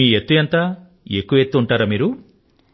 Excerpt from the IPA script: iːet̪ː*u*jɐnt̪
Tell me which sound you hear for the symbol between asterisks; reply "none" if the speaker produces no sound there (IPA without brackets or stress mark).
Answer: u